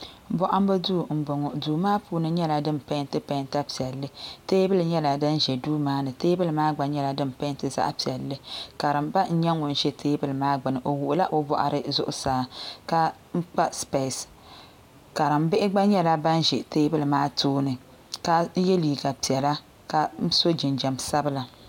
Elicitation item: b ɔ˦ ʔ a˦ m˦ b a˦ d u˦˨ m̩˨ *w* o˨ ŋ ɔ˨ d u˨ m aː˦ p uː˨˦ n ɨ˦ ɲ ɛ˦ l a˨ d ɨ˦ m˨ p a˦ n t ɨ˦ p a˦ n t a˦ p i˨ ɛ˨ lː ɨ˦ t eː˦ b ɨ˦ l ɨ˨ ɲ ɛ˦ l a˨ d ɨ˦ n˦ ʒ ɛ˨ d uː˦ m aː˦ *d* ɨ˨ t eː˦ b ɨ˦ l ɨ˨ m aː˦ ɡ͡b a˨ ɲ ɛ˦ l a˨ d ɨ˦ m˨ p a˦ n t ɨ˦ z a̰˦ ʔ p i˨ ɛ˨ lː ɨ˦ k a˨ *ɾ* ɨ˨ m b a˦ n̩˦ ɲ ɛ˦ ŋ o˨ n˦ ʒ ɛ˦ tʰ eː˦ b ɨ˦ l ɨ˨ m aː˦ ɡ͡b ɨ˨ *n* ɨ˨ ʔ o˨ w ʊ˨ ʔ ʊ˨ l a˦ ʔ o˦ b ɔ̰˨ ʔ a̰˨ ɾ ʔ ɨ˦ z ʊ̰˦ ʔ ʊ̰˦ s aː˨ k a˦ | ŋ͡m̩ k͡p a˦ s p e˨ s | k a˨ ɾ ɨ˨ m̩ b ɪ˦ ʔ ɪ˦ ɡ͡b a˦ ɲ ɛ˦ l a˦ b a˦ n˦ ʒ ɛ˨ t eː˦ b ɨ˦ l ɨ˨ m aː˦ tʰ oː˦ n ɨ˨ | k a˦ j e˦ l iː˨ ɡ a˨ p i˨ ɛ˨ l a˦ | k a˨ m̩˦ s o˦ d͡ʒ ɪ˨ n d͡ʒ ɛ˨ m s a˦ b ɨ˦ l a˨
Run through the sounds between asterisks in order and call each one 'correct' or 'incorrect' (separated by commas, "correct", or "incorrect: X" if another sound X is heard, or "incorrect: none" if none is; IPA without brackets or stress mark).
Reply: incorrect: b, incorrect: n, correct, correct